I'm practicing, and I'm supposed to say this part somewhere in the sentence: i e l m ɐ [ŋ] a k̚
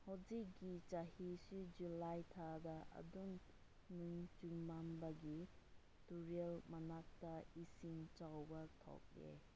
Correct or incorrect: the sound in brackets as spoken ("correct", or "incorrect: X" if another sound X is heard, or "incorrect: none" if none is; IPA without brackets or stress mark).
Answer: incorrect: n